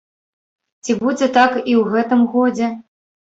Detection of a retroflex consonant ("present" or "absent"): absent